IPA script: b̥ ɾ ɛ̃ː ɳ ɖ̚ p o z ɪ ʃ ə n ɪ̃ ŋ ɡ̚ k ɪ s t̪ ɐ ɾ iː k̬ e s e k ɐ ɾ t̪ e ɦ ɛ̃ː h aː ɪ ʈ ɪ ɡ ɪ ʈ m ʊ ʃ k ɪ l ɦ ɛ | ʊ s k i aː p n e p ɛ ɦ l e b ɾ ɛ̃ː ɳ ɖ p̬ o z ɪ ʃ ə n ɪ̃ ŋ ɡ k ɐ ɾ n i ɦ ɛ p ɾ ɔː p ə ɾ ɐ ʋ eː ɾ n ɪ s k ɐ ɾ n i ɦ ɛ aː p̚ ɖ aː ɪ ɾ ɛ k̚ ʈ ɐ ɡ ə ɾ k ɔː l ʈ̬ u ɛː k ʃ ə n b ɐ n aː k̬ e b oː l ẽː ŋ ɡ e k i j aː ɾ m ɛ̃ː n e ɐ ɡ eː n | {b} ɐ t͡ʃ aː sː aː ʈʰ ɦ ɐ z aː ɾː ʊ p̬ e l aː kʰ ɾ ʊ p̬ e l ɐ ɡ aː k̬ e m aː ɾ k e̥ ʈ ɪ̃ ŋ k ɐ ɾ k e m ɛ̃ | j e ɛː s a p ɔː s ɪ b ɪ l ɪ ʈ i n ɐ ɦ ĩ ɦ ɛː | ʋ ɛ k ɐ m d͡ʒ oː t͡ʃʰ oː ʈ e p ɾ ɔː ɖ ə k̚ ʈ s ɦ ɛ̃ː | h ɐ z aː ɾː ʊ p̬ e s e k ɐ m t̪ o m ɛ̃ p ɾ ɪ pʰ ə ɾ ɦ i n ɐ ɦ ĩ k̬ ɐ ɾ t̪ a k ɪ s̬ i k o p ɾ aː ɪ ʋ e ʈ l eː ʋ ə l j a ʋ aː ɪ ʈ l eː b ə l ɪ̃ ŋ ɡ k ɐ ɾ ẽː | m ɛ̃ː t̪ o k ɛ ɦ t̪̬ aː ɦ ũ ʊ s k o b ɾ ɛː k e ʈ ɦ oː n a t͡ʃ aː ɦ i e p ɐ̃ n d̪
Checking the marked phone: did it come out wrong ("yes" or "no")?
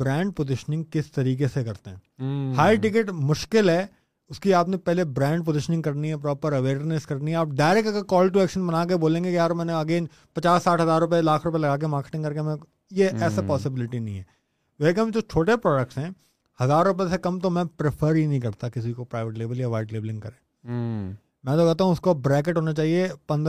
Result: yes